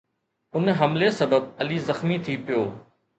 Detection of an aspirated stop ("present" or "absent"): present